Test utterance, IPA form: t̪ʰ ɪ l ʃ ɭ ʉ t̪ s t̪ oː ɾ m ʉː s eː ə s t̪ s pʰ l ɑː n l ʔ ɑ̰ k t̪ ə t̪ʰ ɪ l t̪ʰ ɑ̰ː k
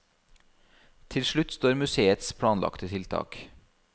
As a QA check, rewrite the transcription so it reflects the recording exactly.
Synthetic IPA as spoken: t̪ʰ ɪ l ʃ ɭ ʉ t̪ s t̪ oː ɾ m ʉ s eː ə t̪ s pʰ ɽ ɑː n l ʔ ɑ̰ k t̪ ə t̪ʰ ɪ l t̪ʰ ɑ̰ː k